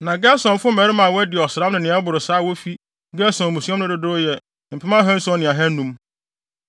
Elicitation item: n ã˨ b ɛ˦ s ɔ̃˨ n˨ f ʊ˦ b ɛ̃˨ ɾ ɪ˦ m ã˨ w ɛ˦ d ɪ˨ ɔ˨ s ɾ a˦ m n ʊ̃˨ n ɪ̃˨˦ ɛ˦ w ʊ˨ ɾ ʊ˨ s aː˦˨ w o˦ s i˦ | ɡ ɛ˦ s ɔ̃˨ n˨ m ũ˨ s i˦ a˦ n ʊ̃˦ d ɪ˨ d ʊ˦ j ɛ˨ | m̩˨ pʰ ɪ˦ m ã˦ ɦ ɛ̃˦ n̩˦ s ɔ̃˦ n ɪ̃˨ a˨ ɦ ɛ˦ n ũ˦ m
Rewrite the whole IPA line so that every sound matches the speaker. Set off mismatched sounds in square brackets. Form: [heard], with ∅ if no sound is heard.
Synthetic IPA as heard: n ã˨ [ɡ] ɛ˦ s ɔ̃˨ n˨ f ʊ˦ [m] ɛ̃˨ ɾ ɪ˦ m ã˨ w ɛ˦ d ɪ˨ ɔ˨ s ɾ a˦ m n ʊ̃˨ n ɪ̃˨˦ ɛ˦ [b] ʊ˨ ɾ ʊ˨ s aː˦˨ w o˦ [f] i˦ | ɡ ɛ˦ s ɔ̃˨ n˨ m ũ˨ s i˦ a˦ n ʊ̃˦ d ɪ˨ d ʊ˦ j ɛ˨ | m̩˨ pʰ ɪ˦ m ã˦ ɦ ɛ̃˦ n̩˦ s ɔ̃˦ n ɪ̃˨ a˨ ɦ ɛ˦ n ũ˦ m